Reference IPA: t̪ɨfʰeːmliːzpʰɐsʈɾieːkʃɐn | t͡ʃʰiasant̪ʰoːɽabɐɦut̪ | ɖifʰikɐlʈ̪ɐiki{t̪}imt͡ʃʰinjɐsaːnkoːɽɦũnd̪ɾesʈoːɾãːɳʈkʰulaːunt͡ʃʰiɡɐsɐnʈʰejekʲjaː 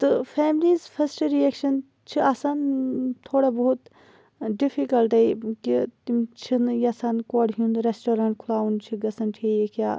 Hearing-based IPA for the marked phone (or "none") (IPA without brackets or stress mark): t̪